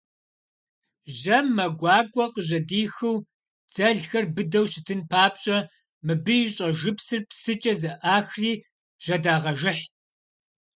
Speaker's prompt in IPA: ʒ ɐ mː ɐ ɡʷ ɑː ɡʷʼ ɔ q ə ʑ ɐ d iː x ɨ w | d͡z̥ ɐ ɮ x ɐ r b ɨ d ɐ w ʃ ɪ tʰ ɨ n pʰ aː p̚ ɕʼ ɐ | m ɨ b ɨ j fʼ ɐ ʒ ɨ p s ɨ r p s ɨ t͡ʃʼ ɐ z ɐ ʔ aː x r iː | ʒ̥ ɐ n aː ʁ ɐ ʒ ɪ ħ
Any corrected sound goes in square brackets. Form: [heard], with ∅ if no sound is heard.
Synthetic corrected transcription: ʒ ɐ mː ɐ ɡʷ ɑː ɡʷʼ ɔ q ə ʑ ɐ d iː x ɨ w | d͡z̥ ɐ ɮ x ɐ r b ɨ d ɐ w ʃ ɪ tʰ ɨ n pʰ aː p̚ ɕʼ ɐ | m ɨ b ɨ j [ɕʼ] ɐ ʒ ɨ p s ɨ r p s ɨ t͡ʃʼ ɐ z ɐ ʔ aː x r iː | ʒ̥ ɐ [d] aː ʁ ɐ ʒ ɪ ħ